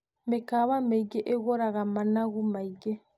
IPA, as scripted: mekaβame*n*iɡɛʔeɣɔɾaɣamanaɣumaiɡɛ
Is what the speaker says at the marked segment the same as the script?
no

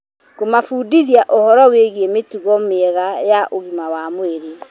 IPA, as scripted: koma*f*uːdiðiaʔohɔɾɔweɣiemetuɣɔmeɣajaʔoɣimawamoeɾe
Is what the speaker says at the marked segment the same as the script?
yes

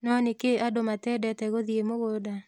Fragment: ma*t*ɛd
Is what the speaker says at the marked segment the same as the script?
yes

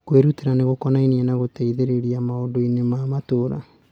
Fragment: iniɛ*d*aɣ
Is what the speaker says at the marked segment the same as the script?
no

